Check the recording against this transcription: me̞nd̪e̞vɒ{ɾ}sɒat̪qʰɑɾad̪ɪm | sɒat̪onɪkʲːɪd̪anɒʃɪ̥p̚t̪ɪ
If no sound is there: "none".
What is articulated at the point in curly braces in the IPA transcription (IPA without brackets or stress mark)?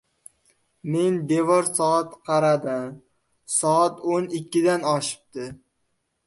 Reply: ɾ